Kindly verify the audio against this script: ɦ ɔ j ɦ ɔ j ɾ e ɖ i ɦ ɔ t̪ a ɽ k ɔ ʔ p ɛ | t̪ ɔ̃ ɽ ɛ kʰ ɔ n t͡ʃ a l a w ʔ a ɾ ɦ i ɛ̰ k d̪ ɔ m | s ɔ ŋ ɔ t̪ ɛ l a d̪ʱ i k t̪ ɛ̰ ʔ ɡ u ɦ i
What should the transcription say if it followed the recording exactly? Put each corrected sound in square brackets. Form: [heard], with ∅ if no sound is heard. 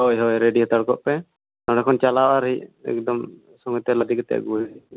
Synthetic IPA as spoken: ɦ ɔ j ɦ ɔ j ɾ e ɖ i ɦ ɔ t̪ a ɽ k ɔ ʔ p ɛ | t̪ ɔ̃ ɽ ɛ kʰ ɔ n t͡ʃ a l a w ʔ a ɾ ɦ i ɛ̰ k d̪ ɔ m | s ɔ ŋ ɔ t̪ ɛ l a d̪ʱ i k t̪ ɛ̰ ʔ ɡ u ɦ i